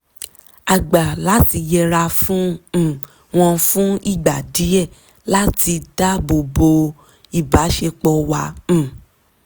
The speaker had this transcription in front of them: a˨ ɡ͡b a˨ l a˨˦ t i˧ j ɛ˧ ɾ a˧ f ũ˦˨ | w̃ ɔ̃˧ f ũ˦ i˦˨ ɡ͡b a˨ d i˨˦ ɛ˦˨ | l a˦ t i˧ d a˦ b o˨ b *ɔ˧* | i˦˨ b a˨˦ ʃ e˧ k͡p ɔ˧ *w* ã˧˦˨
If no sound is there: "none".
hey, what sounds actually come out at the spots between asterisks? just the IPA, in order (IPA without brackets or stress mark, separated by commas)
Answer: o˧, w